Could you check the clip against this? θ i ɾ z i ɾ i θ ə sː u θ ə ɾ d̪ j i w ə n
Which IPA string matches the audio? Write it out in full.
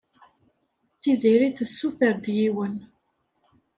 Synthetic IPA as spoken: θ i z i ɾ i θ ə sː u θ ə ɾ d̪ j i w ə n